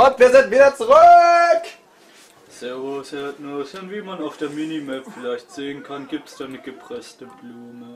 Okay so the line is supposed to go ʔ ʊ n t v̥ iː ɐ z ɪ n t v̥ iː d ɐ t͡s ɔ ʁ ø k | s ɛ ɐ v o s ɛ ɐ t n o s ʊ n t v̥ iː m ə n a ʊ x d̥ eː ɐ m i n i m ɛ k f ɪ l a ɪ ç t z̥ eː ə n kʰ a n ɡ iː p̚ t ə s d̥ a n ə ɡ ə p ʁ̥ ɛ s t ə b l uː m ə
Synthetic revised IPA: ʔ ʊ n t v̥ iː ɐ z ɪ n t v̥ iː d ɐ t͡s u ʁ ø k | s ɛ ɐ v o s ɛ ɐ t n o s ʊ n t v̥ iː m a n a ʊ f d̥ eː ɐ m i n i m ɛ p f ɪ l a ɪ ç t z̥ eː ə n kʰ a n ɡ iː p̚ t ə s d̥ a n ə ɡ ə p ʁ̥ ɛ s t ə b l uː m ə